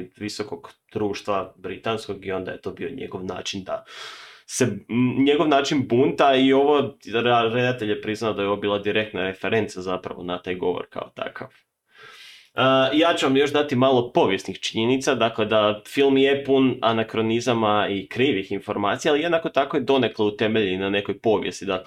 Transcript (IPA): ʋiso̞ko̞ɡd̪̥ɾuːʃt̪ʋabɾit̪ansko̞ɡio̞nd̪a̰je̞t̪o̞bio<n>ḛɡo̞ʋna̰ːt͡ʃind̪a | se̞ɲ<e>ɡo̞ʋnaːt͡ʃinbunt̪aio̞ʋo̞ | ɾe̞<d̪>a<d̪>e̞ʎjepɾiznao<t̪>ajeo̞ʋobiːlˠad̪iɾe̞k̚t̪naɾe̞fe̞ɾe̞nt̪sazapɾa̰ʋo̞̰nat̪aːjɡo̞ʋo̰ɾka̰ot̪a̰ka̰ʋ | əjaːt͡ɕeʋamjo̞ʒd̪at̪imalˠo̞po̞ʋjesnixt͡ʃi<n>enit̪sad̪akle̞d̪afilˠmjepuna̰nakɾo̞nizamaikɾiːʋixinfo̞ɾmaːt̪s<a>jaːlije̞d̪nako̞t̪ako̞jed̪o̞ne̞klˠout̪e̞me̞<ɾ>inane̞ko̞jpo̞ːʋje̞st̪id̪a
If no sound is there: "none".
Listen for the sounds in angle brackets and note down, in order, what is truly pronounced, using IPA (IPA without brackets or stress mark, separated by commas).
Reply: ɲ, e, d̪, t̪, d̪, ɲ, i, ʎ